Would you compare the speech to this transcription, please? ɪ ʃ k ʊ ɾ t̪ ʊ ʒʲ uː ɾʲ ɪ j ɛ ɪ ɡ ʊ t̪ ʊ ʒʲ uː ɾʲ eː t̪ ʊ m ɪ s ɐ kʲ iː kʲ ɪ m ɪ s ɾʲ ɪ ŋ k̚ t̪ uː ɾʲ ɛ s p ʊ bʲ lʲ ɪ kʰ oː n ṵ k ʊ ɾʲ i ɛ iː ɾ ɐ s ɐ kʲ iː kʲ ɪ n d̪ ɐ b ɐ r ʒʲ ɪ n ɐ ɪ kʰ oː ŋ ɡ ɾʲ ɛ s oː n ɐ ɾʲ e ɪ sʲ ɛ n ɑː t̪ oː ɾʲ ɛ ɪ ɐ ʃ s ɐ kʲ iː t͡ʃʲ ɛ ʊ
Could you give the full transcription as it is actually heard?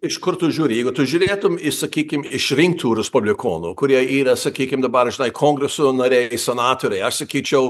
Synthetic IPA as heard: ɪ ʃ k ʊ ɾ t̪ ʊ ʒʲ uː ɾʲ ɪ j ɛ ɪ ɡ ʊ t̪ ʊ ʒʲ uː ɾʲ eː t̪ ʊ m ɪ s ɐ kʲ iː kʲ ɪ m ɪ ʃ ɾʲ ɪ ŋ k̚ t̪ uː ɾʲ ɛ s p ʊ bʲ lʲ ɪ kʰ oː n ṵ k ʊ ɾʲ i ɛ iː ɾ ɐ s ɐ kʲ iː kʲ ɪ m d̪ ɐ b ɐ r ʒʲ ɪ n ɐ ɪ kʰ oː ŋ ɡ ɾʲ ɛ s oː n ɐ ɾʲ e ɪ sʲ ɛ n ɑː t̪ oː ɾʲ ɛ ɪ ɐ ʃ s ɐ kʲ iː t͡ʃʲ ɛ ʊ

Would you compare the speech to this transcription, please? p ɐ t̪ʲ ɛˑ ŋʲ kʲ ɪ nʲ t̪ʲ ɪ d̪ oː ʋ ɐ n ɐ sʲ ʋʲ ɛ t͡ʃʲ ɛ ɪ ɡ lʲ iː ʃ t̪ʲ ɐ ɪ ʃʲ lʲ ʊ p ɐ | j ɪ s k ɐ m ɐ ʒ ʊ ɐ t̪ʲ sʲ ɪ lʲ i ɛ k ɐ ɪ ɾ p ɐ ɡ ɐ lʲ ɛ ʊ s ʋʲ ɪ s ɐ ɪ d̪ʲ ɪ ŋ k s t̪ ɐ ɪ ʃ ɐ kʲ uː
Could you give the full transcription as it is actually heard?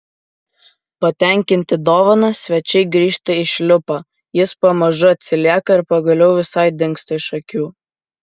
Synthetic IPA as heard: p ɐ t̪ʲ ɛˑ ŋʲ kʲ ɪ nʲ t̪ʲ ɪ d̪ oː ʋ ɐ n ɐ sʲ ʋʲ ɛ t͡ʃʲ ɛ ɪ ɡ ɾʲ iː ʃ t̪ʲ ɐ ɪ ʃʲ lʲ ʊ p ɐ | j ɪ s p ɐ m ɐ ʒ ʊ ɐ t̪ʲ sʲ ɪ lʲ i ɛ k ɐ ɪ ɾ p ɐ ɡ ɐ lʲ ɛ ʊ ʋʲ ɪ s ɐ ɪ d̪ʲ ɪ ŋ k s t̪ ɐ ɪ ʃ ɐ kʲ uː

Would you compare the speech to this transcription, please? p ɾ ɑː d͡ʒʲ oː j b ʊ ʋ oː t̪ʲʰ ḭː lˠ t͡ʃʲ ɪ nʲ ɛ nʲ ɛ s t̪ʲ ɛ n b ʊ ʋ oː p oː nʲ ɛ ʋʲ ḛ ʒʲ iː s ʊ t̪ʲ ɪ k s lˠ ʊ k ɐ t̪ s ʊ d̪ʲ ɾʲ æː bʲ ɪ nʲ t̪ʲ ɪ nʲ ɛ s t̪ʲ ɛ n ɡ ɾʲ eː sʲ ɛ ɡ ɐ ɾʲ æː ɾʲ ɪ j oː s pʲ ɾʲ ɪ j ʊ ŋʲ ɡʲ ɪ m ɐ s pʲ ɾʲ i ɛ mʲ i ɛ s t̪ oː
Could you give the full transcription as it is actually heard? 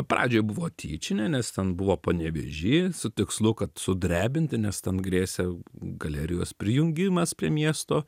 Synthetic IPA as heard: p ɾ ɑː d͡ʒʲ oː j b ʊ ʋ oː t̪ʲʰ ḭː t͡ʃʲ ɪ nʲ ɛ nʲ ɛ s t̪ʲ ɛ n b ʊ ʋ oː p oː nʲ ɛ ʋʲ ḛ ʒʲ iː s ʊ t̪ʲ ɪ k s lˠ ʊ k ɐ t̪ s ʊ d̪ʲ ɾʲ æː bʲ ɪ nʲ t̪ʲ ɪ nʲ ɛ s t̪ʲ ɛ n ɡ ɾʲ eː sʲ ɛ ɡ ɐ lʲ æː ɾʲ ɪ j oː s pʲ ɾʲ ɪ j ʊ ŋʲ ɡʲ ɪ m ɐ s pʲ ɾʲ i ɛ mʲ i ɛ s t̪ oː

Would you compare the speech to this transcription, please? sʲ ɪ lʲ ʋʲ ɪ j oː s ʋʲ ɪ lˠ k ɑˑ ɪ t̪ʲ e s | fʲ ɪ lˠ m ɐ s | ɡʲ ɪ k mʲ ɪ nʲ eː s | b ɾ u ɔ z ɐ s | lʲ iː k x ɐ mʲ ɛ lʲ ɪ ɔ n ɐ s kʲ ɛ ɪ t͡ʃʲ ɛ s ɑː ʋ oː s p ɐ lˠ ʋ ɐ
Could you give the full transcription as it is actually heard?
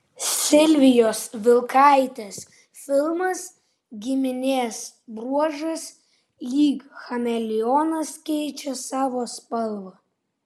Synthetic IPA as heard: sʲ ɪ lʲ ʋʲ ɪ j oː s ʋʲ ɪ lˠ k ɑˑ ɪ t̪ʲ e s | fʲ ɪ lˠ m ɐ s | ɡʲ ɪ mʲ ɪ nʲ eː s | b ɾ u ɔ ʒ ɐ s | lʲ iː k x ɐ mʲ ɛ lʲ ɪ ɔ n ɐ s kʲ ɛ ɪ t͡ʃʲ ɛ s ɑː ʋ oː s p ɐ lˠ ʋ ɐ

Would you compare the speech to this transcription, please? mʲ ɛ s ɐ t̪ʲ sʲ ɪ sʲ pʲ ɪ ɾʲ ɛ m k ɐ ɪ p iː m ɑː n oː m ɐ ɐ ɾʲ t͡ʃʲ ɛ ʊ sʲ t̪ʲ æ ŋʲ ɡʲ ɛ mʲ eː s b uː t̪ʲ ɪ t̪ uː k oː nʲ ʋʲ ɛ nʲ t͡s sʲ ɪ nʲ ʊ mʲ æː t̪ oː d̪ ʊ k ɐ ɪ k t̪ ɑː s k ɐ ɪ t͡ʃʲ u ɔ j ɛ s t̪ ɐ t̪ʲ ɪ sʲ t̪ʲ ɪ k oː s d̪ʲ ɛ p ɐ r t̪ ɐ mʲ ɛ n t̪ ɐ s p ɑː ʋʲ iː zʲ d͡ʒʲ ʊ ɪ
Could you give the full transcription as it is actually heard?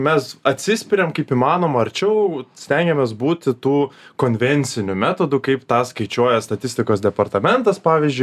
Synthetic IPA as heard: mʲ ɛ s ɐ t̪ʲ sʲ ɪ sʲ pʲ ɪ ɾʲ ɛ m k ɐ ɪ p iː m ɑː n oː m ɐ ɐ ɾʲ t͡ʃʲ ɛ ʊ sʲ t̪ʲ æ ŋʲ ɡʲ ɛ mʲ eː s b uː t̪ʲ ɪ t̪ uː k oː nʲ ʋʲ ɛ nʲ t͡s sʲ ɪ nʲ ʊ mʲ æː t̪ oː d̪ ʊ k ɐ ɪ p t̪ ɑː s k ɐ ɪ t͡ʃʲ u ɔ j ɛ s t̪ ɐ t̪ʲ ɪ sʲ t̪ʲ ɪ k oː s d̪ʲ ɛ p ɐ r t̪ ɐ mʲ ɛ n t̪ ɐ s p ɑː ʋʲ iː zʲ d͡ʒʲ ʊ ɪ

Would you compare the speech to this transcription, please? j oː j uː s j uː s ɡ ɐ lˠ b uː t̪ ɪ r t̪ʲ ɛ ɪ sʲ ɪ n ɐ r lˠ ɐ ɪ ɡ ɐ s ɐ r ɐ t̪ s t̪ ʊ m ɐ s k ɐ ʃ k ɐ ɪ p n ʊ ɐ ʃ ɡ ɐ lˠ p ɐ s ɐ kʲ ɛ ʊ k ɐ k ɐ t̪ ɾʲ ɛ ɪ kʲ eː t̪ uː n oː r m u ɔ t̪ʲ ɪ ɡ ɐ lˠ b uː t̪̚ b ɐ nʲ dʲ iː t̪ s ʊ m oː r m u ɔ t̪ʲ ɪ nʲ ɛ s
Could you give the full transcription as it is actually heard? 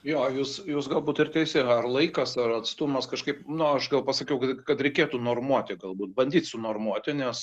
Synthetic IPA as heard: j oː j uː s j uː s ɡ ɐ lˠ b uː t̪ ɪ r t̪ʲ ɛ ɪ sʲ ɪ ɐ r lˠ ɐ ɪ k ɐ s ɐ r ɐ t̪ s t̪ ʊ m ɐ s k ɐ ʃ k ɐ ɪ p n ʊ ɐ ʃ ɡ ɐ lˠ p ɐ s ɐ kʲ ɛ ʊ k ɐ k ɐ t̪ ɾʲ ɛ ɪ kʲ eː t̪ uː n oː r m u ɔ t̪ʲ ɪ ɡ ɐ lˠ b uː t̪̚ b ɐ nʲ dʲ iː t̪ s ʊ n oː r m u ɔ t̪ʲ ɪ nʲ ɛ s

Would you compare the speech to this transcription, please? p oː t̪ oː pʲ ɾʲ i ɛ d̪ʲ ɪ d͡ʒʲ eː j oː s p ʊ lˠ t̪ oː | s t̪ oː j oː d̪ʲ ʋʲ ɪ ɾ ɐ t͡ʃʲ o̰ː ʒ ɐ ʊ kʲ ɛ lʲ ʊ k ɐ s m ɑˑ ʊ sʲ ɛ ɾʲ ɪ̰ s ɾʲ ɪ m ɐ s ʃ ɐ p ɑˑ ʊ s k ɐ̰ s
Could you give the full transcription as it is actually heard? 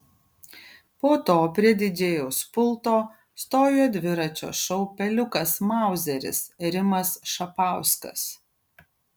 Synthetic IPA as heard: p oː t̪ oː pʲ ɾʲ i ɛ d̪ʲ ɪ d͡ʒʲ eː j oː s p ʊ lˠ t̪ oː | s t̪ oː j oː d̪ʲ ʋʲ ɪ ɾ ɐ t͡ʃʲ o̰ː ʃ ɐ ʊ pʲ ɛ lʲ ʊ k ɐ s m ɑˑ ʊ zʲ ɛ ɾʲ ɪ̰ s ɾʲ ɪ m ɐ s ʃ ɐ p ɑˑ ʊ s k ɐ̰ s

